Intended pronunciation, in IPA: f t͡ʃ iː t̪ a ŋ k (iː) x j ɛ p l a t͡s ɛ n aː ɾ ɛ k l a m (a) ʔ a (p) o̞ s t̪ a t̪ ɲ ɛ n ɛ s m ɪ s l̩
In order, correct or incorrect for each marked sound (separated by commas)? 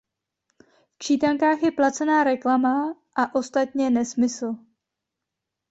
incorrect, correct, incorrect